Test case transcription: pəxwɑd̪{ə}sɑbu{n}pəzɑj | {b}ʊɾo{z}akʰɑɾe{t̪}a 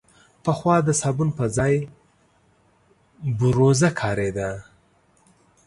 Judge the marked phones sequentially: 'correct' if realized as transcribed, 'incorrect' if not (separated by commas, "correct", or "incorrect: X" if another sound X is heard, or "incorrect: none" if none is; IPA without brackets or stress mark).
correct, correct, correct, correct, incorrect: d̪